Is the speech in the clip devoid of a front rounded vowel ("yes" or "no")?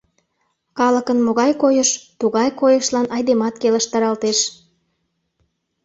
yes